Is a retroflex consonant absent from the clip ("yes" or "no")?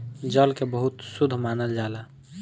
yes